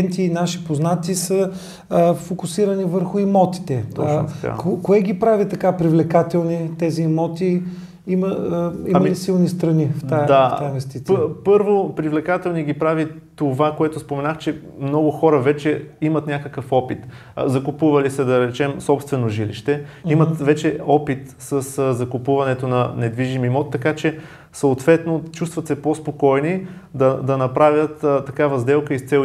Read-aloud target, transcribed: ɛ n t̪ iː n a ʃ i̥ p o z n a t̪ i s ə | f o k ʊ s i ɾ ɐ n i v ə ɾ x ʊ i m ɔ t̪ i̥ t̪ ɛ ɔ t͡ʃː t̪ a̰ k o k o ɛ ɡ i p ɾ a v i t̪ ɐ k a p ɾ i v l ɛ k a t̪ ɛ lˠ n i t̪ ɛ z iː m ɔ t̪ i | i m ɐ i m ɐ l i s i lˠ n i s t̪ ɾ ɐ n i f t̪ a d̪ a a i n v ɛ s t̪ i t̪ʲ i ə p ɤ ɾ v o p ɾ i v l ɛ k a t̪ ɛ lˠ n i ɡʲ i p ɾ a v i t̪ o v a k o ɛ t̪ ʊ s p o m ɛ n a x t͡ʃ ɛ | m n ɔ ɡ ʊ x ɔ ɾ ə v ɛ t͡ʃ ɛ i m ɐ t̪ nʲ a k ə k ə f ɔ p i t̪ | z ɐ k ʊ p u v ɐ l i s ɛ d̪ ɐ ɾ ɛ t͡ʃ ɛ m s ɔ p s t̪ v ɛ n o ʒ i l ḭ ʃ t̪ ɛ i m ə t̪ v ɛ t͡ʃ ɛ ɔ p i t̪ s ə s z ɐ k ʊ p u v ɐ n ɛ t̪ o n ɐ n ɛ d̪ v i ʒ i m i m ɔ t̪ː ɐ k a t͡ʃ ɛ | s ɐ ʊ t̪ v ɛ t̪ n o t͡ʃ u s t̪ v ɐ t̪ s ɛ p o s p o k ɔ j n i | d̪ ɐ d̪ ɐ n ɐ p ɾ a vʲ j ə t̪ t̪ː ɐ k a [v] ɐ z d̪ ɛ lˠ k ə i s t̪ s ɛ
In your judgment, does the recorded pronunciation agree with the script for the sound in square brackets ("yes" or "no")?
yes